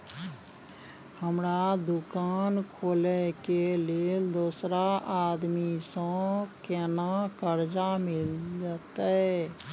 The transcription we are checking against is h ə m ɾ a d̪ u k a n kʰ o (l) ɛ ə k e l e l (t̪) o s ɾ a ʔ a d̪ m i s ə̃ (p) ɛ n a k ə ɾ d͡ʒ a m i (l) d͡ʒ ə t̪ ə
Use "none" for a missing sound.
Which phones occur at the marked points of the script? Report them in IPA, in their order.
l, d̪, k, l

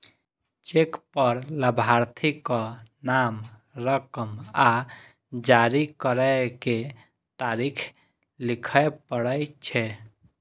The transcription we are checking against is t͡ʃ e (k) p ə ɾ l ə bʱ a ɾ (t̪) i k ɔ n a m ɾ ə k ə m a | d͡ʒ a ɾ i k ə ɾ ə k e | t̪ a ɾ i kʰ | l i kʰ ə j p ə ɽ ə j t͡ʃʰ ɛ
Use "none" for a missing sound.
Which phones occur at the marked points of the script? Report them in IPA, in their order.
k, t̪ʰ

